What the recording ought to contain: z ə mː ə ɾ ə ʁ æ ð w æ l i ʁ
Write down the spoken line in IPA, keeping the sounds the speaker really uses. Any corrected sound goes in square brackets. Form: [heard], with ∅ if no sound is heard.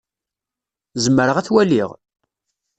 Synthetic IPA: z ə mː ə ɾ ə ʁ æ [θ] w æ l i ʁ